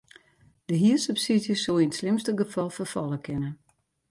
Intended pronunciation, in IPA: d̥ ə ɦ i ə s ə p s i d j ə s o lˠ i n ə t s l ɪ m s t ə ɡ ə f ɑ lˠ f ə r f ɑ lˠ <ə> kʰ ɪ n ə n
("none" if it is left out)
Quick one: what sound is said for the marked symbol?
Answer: ə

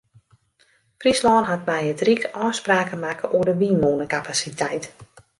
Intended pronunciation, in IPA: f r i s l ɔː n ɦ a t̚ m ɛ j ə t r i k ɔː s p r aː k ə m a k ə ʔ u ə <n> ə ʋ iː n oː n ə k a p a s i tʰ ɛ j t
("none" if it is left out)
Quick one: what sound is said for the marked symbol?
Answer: d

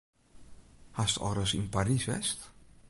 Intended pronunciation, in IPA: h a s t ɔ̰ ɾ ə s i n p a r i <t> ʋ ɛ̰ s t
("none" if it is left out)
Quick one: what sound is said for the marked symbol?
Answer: s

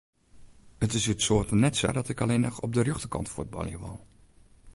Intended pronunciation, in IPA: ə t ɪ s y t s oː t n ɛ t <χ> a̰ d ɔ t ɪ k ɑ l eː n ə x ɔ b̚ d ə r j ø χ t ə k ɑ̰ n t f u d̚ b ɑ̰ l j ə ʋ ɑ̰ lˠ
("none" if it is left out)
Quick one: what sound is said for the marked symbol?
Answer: s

